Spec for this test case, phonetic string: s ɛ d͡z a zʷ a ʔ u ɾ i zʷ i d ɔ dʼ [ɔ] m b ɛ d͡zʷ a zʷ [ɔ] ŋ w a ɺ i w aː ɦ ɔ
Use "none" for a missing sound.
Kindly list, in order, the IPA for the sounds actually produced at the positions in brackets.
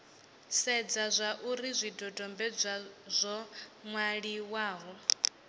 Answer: ɔ, ɔ

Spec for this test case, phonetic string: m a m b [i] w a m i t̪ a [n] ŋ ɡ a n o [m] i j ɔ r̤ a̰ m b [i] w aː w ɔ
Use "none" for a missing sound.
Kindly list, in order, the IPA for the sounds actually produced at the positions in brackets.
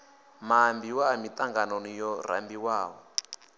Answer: i, none, n, i

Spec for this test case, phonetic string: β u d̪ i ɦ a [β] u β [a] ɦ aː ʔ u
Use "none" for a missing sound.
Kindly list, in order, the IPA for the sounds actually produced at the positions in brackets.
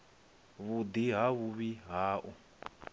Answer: β, i

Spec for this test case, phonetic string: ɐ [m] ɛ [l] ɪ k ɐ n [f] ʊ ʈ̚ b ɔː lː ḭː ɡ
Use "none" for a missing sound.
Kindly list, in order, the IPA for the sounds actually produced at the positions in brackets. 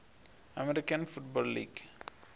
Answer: m, ɾ, f

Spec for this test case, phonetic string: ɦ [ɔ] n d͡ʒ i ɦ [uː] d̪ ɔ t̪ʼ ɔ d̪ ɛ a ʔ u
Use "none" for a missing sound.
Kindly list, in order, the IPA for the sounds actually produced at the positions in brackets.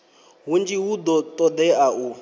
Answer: u, u

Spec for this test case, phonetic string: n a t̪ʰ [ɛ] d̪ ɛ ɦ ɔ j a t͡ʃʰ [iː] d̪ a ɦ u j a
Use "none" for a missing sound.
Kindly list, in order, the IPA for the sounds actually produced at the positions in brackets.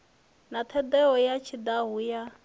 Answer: ɛ, i

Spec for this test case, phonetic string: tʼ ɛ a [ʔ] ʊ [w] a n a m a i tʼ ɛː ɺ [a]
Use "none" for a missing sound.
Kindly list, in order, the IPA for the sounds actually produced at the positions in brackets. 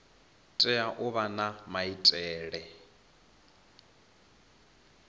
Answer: ʔ, β, ɛ

